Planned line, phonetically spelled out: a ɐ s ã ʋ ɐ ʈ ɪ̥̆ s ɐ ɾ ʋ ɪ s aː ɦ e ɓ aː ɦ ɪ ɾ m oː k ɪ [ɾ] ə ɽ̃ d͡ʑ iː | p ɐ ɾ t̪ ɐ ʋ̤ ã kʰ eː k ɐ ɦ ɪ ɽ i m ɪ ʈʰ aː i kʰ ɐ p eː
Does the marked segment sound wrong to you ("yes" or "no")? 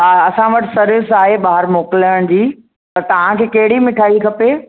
yes